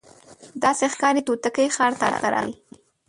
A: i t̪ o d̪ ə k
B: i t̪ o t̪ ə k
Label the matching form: B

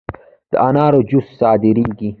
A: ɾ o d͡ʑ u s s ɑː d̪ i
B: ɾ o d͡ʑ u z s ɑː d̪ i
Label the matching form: A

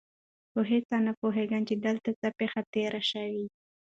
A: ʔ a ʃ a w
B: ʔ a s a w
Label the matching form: A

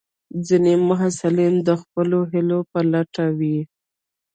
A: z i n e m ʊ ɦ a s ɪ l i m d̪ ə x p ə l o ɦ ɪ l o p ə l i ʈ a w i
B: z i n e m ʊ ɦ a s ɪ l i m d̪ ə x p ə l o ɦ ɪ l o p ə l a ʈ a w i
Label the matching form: B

